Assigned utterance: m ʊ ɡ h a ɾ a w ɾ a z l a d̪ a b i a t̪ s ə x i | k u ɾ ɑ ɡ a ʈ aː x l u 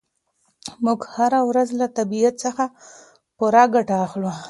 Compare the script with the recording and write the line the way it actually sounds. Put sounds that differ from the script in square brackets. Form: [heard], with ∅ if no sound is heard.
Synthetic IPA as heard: m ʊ ɡ h a ɾ a w ɾ a z l a [t̪] a b i a t̪ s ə x [a] | [p] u ɾ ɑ ɡ a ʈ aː x l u